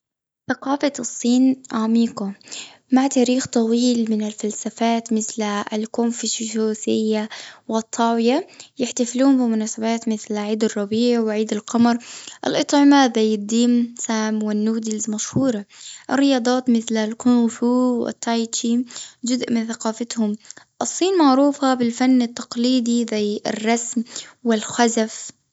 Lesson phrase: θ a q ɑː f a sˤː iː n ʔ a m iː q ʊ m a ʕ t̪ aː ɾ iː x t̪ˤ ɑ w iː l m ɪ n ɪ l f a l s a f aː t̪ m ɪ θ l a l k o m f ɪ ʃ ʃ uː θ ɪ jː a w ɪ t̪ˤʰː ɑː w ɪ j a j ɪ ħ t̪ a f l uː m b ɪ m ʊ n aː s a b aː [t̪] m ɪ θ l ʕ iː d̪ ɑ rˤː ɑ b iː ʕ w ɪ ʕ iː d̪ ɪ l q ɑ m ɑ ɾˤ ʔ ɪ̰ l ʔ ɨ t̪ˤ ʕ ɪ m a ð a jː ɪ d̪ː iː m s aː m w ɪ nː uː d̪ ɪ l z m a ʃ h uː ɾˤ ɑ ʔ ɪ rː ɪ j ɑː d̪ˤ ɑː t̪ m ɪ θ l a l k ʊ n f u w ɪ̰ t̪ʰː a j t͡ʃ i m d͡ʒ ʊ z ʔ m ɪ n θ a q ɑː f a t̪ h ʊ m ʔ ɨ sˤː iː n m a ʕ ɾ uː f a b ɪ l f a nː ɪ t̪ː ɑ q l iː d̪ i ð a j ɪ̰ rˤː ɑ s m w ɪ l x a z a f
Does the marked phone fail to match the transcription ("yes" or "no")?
no